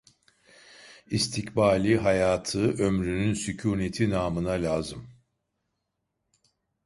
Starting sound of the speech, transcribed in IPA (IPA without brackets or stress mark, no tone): i